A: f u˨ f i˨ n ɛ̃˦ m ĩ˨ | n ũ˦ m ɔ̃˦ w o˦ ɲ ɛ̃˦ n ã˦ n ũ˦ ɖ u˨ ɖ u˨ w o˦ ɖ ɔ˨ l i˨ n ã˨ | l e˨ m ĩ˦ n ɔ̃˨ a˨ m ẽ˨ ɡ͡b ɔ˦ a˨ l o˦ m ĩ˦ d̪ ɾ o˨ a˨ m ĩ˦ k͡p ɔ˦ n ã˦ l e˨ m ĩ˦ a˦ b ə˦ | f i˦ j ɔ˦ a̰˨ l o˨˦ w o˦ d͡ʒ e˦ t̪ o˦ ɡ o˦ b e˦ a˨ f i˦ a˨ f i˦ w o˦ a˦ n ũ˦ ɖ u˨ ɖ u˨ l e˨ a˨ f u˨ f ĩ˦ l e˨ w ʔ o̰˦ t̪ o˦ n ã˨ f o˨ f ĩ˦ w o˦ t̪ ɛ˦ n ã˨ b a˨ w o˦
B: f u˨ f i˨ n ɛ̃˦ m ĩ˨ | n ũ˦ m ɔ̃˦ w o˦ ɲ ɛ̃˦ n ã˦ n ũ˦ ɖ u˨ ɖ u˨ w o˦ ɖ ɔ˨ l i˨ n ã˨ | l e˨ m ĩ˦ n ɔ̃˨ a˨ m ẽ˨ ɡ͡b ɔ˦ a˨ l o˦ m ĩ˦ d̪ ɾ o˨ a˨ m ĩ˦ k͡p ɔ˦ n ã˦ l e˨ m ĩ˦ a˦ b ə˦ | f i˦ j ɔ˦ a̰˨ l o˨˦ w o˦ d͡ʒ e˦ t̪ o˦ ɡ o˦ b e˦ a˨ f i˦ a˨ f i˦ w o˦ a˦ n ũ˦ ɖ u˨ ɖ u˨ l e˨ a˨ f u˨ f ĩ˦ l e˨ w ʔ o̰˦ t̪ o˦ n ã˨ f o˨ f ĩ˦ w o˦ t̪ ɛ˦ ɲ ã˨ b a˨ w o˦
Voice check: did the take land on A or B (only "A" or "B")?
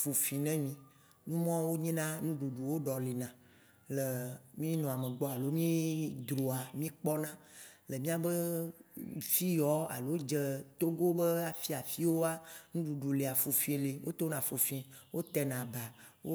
A